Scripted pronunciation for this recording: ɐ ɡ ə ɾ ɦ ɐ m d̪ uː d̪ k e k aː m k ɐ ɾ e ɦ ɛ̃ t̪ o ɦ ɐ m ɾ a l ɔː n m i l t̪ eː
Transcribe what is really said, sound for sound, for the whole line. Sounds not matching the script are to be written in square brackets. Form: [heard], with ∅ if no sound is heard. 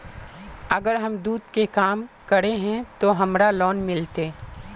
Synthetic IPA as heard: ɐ ɡ ə ɾ ɦ ɐ m d̪ uː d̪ k e k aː m k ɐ ɾ e ɦ ɛ̃ t̪ o ɦ ɐ m ɾ a l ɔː n m [ɪ] l t̪ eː